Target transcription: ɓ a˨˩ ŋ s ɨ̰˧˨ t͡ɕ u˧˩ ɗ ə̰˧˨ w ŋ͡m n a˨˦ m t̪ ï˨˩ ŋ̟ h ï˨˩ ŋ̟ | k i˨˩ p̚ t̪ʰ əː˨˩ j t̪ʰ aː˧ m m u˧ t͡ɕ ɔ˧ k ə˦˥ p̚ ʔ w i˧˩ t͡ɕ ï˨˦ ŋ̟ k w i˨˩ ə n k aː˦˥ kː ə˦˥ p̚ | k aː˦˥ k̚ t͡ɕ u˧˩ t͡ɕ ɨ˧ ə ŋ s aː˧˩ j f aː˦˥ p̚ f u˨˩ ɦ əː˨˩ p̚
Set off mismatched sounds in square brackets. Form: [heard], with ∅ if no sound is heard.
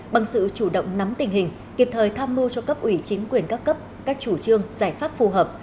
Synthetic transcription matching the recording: ɓ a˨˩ ŋ s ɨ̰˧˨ t͡ɕ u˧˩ ɗ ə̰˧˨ w ŋ͡m n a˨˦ m t̪ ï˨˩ ŋ̟ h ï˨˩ ŋ̟ | k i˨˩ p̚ t̪ʰ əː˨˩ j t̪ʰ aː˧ m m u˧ t͡ɕ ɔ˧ k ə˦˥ p̚ ʔ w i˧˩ t͡ɕ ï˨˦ ŋ̟ k w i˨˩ ə n k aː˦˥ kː ə˦˥ p̚ | k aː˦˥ k̚ t͡ɕ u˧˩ t͡ɕ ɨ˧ ə ŋ [z] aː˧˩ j f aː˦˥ p̚ f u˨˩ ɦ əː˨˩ p̚